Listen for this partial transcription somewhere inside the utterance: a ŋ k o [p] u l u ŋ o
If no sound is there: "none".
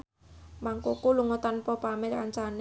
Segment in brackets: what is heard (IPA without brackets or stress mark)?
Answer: k